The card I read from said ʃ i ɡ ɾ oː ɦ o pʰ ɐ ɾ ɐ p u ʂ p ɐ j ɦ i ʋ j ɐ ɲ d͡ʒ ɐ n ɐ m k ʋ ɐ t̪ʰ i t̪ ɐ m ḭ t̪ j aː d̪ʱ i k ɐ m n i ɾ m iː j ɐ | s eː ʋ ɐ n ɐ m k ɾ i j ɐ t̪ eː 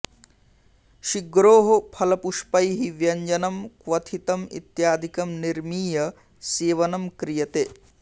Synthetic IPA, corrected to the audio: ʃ i ɡ ɾ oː ɦ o pʰ ɐ l ɐ p u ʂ p ɐ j ɦ i ʋ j ɐ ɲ d͡ʒ ɐ n ɐ m k ʋ ɐ t̪ʰ i t̪ ɐ m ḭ t̪ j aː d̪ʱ i k ɐ m n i ɾ m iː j ɐ | s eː ʋ ɐ n ɐ m k ɾ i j ɐ t̪ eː